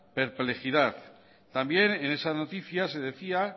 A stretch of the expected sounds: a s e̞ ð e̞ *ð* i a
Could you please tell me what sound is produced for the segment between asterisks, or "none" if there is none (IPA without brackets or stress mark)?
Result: θ